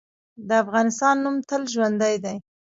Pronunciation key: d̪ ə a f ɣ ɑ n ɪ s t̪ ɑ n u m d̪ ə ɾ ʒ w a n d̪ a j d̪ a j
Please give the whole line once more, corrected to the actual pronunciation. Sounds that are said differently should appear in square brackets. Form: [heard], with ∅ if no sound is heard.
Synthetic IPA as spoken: d̪ ə a f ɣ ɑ n ɪ s t̪ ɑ [nː] u m [t̪] ə [l] ʒ w a n d̪ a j d̪ a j